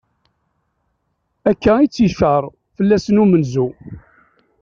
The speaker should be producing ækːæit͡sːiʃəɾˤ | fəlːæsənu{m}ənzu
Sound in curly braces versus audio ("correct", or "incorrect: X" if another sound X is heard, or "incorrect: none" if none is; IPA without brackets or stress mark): correct